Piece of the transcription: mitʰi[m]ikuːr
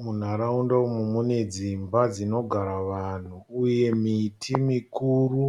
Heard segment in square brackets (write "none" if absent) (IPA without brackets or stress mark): m